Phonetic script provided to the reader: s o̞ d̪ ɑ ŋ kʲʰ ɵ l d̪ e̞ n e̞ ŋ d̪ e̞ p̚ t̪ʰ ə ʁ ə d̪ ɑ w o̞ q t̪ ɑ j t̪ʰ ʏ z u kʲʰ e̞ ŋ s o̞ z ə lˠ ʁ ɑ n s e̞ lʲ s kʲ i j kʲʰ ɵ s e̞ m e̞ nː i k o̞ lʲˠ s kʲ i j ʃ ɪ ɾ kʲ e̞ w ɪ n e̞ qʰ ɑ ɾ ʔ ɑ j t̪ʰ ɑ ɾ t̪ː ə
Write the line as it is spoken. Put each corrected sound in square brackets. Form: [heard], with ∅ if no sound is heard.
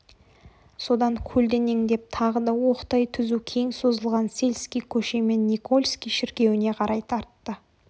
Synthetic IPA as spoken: s o̞ d̪ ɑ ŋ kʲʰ ɵ l d̪ e̞ n e̞ ŋ d̪ e̞ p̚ t̪ʰ [ɑ] ʁ ə d̪ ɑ w o̞ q t̪ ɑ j t̪ʰ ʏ z u kʲʰ e̞ ŋ s o̞ z ə lˠ ʁ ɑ n s e̞ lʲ s kʲ i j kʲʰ ɵ [ʃ] e̞ m e̞ nː i k o̞ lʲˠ s kʲ i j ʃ ɪ ɾ kʲ e̞ w ɪ n e̞ qʰ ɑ ɾ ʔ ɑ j t̪ʰ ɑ ɾ t̪ː ə